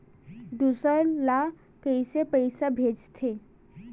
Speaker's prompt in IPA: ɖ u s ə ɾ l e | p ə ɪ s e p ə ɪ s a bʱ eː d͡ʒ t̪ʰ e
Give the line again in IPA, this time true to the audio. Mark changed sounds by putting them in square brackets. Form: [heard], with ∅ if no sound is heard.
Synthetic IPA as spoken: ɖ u s ə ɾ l [a] | [k] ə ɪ s e p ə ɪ s a bʱ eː d͡ʒ t̪ʰ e